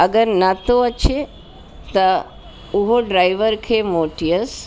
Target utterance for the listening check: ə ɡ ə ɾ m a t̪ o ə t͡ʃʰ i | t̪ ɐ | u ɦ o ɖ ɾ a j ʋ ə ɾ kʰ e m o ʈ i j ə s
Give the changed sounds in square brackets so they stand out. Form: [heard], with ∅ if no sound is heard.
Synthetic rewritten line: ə ɡ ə ɾ [n] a t̪ o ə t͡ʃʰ [e] | t̪ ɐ | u ɦ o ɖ ɾ a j ʋ ə ɾ kʰ e m o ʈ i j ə s